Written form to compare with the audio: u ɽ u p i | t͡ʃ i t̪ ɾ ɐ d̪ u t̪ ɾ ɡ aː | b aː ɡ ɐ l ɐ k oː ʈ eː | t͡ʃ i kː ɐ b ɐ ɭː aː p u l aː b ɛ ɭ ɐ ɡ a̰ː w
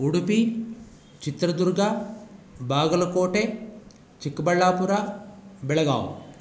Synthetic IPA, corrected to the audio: u ɽ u p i | t͡ʃ i t̪ ɾ ɐ d̪ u ɾ ɡ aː | b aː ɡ ɐ l ɐ k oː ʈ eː | t͡ʃ i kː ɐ b ɐ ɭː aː p u ɾ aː b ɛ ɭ ɐ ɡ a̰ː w